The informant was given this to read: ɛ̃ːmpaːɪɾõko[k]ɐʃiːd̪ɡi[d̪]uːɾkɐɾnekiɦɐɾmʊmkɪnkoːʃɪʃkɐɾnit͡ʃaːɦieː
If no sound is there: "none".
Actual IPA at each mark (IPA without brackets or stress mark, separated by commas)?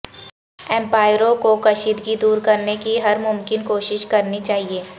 k, d̪